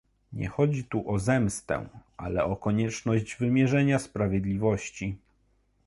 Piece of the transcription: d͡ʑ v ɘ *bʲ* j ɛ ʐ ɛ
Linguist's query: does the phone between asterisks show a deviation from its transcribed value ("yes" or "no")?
yes